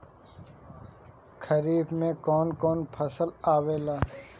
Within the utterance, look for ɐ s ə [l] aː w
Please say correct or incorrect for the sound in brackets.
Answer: correct